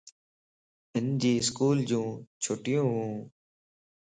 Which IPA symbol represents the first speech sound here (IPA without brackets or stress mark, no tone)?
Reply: ɪ